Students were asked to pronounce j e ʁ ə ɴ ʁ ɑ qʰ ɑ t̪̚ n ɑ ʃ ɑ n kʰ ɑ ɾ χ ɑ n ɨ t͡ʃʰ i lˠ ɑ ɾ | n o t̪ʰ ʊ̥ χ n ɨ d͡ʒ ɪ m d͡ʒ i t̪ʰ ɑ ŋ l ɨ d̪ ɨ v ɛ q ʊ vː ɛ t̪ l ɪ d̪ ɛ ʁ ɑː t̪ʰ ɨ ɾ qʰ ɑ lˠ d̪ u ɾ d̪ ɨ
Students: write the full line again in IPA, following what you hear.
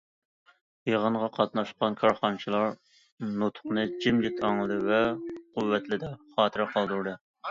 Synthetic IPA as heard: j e ʁ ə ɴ ʁ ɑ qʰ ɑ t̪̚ n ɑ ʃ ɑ n kʰ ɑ ɾ χ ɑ n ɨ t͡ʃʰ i lˠ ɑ ɾ | n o t̪ʰ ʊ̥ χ n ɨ d͡ʒ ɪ m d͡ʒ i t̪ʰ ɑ ŋ l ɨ d̪ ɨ v ɛ q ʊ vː ɛ t̪ l ɪ d̪ ɛ χ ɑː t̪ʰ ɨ ɾ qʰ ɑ lˠ d̪ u ɾ d̪ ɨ